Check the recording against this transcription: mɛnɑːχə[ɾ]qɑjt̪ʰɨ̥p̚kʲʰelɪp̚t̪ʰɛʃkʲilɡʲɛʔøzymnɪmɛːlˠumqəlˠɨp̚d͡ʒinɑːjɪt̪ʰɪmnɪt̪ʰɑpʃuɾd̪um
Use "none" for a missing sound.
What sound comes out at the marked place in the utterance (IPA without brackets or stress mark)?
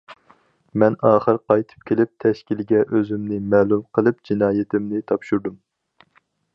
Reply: ɾ